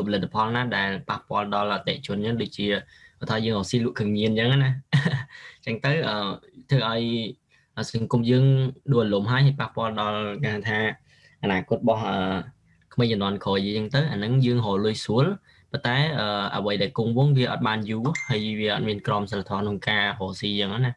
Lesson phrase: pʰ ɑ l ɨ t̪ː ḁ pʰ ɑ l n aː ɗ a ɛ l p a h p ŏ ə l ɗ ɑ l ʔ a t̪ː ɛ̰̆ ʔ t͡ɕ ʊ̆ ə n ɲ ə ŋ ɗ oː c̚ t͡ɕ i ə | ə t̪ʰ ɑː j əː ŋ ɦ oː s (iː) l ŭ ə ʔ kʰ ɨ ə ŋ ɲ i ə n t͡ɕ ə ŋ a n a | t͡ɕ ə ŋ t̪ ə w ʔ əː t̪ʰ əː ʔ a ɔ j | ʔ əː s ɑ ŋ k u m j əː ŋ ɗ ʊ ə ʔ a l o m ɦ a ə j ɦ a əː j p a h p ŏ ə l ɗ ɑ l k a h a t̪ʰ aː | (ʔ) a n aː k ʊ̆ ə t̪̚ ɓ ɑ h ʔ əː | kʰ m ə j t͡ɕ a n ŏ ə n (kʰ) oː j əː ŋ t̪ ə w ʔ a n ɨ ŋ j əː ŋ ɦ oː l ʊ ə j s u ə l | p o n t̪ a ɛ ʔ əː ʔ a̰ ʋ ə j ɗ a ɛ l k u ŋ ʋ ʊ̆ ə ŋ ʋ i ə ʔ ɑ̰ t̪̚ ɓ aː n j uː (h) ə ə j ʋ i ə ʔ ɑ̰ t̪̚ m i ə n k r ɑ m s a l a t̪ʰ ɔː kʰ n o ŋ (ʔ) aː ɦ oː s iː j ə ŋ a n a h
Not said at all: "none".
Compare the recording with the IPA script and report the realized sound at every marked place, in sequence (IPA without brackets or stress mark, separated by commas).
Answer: iː, ʔ, kʰ, h, k